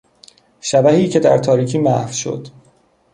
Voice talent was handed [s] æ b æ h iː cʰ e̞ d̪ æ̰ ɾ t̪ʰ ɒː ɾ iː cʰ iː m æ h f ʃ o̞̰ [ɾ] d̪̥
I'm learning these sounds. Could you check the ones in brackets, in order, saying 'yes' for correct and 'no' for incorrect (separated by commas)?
no, no